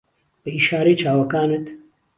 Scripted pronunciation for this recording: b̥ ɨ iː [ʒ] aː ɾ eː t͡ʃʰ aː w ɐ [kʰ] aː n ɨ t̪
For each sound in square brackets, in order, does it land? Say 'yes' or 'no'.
no, no

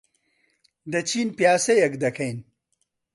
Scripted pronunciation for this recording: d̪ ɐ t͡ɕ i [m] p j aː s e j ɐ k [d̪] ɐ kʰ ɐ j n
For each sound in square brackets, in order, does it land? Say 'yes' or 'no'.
no, yes

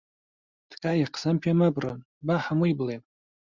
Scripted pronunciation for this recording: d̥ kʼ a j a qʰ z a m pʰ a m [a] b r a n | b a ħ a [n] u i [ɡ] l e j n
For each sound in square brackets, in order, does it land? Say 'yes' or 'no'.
yes, no, no

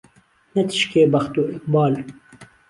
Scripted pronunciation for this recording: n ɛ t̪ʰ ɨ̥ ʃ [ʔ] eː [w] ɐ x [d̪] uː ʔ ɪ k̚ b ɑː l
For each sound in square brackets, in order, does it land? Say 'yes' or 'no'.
no, no, no

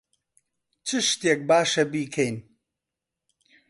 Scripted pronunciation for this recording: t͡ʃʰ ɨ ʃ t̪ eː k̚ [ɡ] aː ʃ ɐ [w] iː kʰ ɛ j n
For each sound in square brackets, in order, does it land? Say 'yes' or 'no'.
no, no

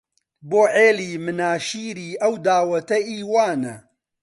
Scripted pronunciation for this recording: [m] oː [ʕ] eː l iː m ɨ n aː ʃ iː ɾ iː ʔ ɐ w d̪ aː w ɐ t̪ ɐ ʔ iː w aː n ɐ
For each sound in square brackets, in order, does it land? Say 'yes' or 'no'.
no, yes

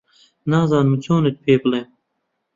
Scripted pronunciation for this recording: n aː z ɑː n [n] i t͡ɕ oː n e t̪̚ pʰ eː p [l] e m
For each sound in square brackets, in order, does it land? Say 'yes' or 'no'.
no, yes

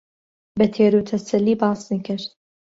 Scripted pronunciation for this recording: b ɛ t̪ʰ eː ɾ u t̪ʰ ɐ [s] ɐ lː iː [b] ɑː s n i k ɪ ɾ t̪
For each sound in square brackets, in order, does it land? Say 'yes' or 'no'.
yes, yes

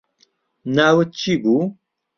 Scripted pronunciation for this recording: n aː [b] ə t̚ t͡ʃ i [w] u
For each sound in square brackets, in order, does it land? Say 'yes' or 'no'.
no, no

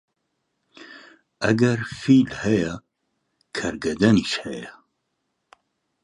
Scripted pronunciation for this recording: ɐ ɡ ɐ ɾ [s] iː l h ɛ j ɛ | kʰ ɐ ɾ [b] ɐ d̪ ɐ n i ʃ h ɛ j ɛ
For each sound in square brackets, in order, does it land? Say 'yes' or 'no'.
no, no

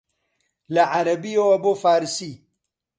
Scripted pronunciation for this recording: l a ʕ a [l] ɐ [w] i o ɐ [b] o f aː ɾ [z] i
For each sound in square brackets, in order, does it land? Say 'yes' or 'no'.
no, no, yes, no

